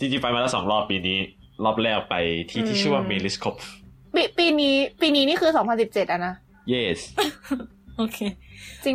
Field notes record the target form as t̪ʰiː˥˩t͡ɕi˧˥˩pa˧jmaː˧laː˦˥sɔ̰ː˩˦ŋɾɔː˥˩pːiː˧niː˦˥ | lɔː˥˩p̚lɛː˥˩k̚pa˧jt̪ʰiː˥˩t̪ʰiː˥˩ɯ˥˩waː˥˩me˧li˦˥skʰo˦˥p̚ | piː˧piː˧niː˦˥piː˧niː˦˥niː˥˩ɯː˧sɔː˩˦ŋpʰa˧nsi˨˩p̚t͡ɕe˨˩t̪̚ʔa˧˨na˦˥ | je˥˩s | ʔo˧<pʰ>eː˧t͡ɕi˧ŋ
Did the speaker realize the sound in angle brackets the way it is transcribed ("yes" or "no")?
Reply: no